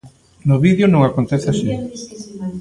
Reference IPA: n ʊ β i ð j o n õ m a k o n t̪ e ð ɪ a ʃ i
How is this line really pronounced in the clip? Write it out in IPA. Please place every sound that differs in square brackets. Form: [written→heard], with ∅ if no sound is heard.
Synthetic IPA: n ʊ β i ð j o n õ [m→ŋ] a k o n t̪ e [ð→θ] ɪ a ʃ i